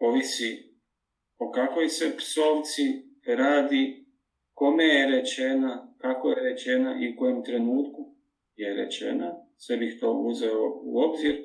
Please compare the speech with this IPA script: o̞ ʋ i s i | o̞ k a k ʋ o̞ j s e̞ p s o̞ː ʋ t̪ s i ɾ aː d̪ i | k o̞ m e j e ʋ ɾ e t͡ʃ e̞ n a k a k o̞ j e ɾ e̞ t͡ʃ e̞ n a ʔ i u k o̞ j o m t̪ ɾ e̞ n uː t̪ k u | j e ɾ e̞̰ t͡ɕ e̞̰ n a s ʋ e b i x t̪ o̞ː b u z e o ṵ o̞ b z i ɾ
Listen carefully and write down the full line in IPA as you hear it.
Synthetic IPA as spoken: o̞ ʋ i s i | o̞ k a k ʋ o̞ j s e̞ p s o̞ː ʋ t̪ s i ɾ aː d̪ i | k o̞ m e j e ɾ e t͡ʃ e̞ n a k a k o̞ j e ɾ e̞ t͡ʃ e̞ n a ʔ i u k o̞ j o m t̪ ɾ e̞ n uː t̪ k u | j e ɾ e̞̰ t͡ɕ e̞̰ n a s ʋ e b i x t̪ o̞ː u z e o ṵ o̞ b z i ɾ